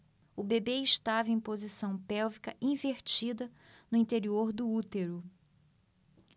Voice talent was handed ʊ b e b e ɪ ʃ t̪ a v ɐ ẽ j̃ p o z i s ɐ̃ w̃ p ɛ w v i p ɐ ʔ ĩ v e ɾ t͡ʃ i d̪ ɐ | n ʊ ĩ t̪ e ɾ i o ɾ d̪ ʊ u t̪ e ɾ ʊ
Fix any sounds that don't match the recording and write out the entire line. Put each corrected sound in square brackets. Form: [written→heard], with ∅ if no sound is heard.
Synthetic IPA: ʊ b e b e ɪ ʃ t̪ a v ɐ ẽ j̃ p o z i s ɐ̃ w̃ p ɛ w v i [p→k] ɐ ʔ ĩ v e ɾ t͡ʃ i d̪ ɐ | n ʊ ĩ t̪ e ɾ i o ɾ d̪ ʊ u t̪ e ɾ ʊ

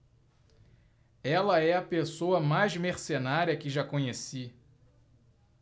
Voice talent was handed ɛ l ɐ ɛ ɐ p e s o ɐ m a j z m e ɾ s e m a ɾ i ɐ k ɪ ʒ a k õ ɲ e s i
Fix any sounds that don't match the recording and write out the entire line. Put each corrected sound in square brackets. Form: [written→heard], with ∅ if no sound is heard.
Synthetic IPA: ɛ l ɐ ɛ ɐ p e s o ɐ m a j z m e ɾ s e [m→n] a ɾ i ɐ k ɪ ʒ a k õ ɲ e s i

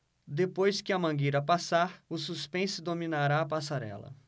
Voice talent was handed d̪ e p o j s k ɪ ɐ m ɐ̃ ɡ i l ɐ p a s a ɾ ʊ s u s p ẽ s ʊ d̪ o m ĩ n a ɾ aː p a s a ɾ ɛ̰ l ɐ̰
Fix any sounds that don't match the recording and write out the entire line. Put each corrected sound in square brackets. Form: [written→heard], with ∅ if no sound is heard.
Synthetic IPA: d̪ e p o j s k ɪ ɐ m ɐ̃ ɡ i [l→ɾ] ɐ p a s a ɾ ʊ s u s p ẽ s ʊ d̪ o m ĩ n a ɾ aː p a s a ɾ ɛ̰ l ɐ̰

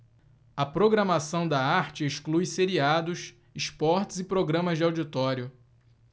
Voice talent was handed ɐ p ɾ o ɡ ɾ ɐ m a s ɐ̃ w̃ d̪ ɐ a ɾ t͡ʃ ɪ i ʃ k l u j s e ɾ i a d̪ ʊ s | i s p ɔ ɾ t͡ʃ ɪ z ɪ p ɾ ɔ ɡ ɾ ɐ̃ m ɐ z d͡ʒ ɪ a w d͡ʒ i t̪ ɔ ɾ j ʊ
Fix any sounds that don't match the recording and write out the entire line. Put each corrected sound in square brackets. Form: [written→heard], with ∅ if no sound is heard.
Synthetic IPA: ɐ p ɾ o ɡ ɾ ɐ m a s ɐ̃ w̃ d̪ ɐ a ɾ t͡ʃ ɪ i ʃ k l u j s e ɾ i a d̪ ʊ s | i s p ɔ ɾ t͡ʃ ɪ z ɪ p ɾ [ɔ→o] ɡ ɾ ɐ̃ m ɐ z d͡ʒ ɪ a w d͡ʒ i t̪ ɔ ɾ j ʊ

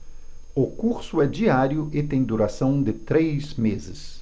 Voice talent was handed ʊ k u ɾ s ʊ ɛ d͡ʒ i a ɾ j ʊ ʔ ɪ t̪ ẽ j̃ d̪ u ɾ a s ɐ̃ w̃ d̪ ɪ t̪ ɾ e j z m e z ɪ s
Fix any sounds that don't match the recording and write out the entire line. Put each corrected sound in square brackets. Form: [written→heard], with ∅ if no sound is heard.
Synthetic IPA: ʊ k u ɾ s ʊ ɛ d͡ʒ i a ɾ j ʊ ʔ ɪ t̪ ẽ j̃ d̪ u ɾ a s ɐ̃ w̃ d̪ ɪ t̪ ɾ e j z m e z ɪ s

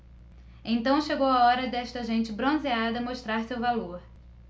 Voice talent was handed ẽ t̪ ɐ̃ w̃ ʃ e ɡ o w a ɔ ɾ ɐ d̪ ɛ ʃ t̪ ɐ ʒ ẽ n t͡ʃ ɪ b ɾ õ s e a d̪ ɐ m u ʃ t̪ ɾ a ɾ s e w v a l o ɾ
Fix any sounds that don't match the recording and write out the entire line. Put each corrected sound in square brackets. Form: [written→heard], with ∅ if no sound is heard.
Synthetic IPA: ẽ t̪ ɐ̃ w̃ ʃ e ɡ o w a ɔ ɾ ɐ d̪ ɛ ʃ t̪ ɐ ʒ ẽ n t͡ʃ ɪ b ɾ õ [s→z] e a d̪ ɐ m [u→o] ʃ t̪ ɾ a ɾ s e w v a l o ɾ

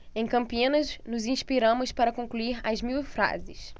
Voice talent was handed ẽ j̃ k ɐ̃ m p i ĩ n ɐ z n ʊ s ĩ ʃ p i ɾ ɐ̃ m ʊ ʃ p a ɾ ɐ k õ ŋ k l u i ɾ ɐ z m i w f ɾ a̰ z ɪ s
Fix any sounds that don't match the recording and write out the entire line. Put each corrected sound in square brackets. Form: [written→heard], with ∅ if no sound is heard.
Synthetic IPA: ẽ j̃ k ɐ̃ m p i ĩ n ɐ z n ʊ [s→z] ĩ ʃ p i ɾ ɐ̃ m ʊ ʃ p a ɾ ɐ k õ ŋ k l u i ɾ ɐ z m i w f ɾ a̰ z ɪ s

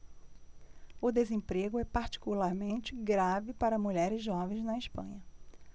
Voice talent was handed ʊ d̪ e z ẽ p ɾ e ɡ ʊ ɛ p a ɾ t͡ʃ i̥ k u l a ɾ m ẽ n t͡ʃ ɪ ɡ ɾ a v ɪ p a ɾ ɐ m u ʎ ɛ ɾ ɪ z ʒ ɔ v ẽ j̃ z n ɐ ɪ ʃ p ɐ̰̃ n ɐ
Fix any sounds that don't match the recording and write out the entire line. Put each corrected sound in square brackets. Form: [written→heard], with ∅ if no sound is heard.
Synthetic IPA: ʊ d̪ e z ẽ p ɾ e ɡ ʊ ɛ p a ɾ t͡ʃ i̥ k u l a ɾ m ẽ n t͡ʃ ɪ ɡ ɾ a v ɪ p a ɾ ɐ m u ʎ ɛ ɾ ɪ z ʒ ɔ v ẽ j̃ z n ɐ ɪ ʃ p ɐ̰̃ [n→ɲ] ɐ

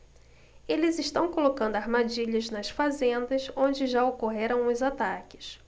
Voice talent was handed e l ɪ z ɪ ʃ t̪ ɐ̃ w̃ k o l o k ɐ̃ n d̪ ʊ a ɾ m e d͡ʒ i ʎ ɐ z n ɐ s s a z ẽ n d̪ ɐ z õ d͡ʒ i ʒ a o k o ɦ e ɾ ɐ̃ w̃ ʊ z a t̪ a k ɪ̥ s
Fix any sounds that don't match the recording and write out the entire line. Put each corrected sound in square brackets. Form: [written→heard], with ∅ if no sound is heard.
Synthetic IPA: e l ɪ z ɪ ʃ t̪ ɐ̃ w̃ k o l o k ɐ̃ n d̪ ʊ a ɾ m [e→a] d͡ʒ i ʎ ɐ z n ɐ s [s→f] a z ẽ n d̪ ɐ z õ d͡ʒ [i→ɪ] ʒ a o k o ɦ e ɾ ɐ̃ w̃ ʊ z a t̪ a k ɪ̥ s

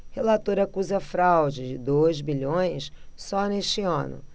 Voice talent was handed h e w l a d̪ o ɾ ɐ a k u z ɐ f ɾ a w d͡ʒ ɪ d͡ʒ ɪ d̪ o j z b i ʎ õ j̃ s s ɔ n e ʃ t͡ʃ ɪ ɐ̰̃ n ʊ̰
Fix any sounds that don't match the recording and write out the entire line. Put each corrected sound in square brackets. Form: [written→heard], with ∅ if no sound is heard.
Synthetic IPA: h e [w→∅] l a [d̪→t̪] o ɾ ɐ a k u z ɐ f ɾ a w d͡ʒ ɪ d͡ʒ ɪ d̪ o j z b i ʎ õ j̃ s s ɔ n e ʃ t͡ʃ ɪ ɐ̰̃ n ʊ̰

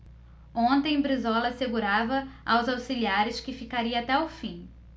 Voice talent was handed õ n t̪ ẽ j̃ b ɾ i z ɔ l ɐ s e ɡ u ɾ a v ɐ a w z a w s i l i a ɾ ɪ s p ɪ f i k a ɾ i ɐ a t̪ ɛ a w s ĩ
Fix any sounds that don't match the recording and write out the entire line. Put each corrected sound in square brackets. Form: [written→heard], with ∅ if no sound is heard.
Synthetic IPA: õ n t̪ ẽ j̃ b ɾ i z ɔ l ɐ s e ɡ u ɾ a v ɐ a w z a w s i l i a ɾ ɪ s [p→k] ɪ f i k a ɾ i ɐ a t̪ ɛ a w [s→f] ĩ

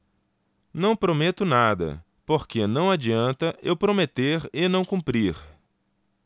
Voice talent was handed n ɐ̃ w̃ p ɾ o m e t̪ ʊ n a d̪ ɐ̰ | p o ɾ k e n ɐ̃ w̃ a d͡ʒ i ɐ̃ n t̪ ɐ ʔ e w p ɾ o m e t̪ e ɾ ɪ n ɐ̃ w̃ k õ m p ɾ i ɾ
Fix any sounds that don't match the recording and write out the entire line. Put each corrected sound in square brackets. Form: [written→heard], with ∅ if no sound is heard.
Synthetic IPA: n ɐ̃ w̃ p ɾ o m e t̪ ʊ n a d̪ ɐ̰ | p o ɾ k e n ɐ̃ w̃ a d͡ʒ i ɐ̃ n t̪ ɐ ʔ e w p ɾ o m e t̪ e ɾ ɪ n ɐ̃ w̃ k [õ→ũ] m p ɾ i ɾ

